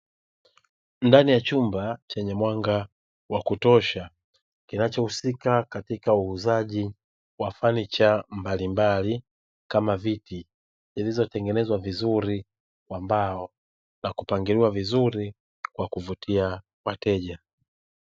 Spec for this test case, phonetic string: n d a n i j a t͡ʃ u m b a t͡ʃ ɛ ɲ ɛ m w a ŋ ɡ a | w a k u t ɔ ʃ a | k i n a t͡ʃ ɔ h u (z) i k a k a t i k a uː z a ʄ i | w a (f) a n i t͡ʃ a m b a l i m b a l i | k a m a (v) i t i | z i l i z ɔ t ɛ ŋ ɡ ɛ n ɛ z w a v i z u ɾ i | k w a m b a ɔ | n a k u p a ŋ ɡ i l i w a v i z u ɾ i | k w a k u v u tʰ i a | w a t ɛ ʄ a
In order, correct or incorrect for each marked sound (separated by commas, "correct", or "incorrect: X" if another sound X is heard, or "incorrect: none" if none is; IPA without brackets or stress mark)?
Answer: incorrect: s, correct, correct